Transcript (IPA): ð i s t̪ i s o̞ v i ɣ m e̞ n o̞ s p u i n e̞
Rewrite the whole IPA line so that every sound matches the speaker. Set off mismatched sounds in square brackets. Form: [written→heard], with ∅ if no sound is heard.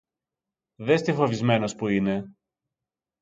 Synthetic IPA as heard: ð [i→e] s t̪ i [s→f] o̞ v i [ɣ→z] m e̞ n o̞ s p u i n e̞